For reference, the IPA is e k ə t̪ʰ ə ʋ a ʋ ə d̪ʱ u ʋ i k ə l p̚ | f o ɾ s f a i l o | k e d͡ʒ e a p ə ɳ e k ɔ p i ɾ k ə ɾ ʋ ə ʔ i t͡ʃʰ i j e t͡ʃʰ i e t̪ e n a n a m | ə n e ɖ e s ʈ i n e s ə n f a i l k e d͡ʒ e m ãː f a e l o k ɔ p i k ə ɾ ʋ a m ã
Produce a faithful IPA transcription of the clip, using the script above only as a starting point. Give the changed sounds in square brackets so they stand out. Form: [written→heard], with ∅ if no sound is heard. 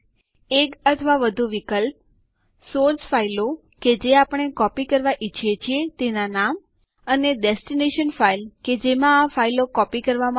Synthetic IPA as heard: e k ə t̪ʰ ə ʋ a ʋ ə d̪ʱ u ʋ i k ə l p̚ | [f→s] o ɾ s f a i l o | k e d͡ʒ e a p ə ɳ e k ɔ p i [ɾ→∅] k ə ɾ ʋ [ə→a] ʔ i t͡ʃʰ i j e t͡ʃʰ i e t̪ e n a n a m | ə n e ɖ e s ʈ i n e [s→ʃ] ə n f a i l k e d͡ʒ e m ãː f a [e→i] l o k ɔ p i k ə ɾ ʋ a m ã